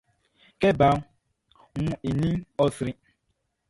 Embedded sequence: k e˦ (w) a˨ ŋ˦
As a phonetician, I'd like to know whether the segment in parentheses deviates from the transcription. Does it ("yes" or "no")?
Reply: yes